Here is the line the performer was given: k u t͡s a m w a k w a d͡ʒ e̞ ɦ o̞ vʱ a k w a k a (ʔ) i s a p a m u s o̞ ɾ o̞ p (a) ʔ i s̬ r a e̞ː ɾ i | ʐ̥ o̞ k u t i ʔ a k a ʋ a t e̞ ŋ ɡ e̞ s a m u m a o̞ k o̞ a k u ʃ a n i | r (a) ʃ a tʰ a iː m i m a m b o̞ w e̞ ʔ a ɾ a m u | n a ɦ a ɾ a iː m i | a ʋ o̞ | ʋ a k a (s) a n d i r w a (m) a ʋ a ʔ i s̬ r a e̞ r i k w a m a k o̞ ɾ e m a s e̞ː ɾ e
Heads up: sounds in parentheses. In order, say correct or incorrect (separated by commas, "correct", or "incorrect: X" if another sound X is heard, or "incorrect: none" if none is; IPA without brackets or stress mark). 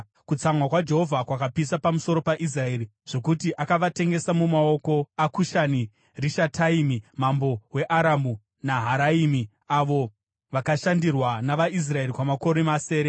incorrect: p, correct, incorrect: i, incorrect: ʃ, incorrect: n